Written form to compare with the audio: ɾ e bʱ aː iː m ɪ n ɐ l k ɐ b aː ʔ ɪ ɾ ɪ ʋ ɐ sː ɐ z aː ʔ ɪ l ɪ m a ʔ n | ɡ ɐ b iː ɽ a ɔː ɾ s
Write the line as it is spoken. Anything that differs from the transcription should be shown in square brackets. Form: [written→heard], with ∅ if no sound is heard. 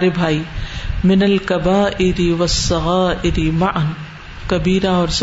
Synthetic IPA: ɾ e bʱ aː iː m ɪ n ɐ l k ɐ b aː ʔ ɪ ɾ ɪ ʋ ɐ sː ɐ [z→ɣ] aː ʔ ɪ [l→ɾ] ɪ m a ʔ n | [ɡ→k] ɐ b iː [ɽ→ɾ] a ɔː ɾ s